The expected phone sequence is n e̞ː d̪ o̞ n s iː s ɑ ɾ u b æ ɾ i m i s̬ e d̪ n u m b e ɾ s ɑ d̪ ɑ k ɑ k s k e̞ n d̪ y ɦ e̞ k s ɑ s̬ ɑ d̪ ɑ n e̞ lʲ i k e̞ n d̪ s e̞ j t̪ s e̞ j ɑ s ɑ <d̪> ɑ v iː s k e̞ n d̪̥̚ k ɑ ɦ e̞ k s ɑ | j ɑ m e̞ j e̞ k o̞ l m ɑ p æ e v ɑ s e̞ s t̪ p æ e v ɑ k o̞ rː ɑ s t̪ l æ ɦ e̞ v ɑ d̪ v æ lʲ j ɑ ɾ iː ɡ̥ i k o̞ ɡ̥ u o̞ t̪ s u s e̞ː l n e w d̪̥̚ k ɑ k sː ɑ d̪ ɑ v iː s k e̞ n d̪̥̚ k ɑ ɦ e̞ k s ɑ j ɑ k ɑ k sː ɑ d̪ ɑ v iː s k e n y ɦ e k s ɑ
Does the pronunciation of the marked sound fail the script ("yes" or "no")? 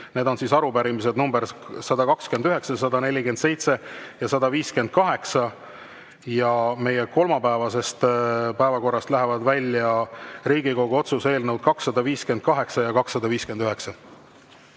no